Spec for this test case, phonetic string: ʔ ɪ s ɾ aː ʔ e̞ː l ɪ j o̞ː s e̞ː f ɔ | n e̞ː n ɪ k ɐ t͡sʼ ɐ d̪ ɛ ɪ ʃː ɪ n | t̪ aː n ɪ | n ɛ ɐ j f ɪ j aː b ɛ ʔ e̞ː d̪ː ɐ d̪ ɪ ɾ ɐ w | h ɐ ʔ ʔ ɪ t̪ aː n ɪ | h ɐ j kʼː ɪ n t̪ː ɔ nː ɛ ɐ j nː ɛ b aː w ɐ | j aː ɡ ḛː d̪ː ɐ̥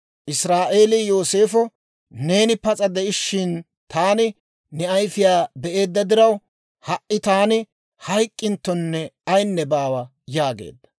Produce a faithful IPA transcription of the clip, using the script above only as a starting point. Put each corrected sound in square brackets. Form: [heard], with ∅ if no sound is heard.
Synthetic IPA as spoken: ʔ ɪ s ɾ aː ʔ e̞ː l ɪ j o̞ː s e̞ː f ɔ | n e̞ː n ɪ [p] ɐ t͡sʼ ɐ d̪ ɛ ɪ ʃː ɪ n | t̪ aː n ɪ | n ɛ ɐ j f ɪ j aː b ɛ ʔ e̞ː d̪ː ɐ d̪ ɪ ɾ ɐ w | h ɐ ʔ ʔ ɪ t̪ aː n ɪ | h ɐ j kʼː ɪ n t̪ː ɔ nː ɛ ɐ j nː ɛ b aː w ɐ | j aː ɡ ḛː d̪ː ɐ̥